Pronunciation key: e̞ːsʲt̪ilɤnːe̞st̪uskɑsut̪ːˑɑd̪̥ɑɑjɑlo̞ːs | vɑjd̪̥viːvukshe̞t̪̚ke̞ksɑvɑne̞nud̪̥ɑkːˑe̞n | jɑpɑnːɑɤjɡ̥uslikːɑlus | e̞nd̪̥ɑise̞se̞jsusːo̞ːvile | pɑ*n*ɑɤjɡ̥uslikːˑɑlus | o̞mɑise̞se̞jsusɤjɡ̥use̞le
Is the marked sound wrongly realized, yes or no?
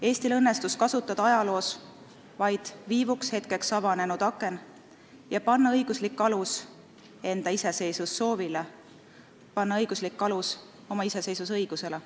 yes